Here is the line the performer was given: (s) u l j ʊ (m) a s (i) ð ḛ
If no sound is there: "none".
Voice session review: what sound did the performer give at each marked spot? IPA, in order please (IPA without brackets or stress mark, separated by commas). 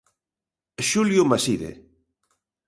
ʃ, m, i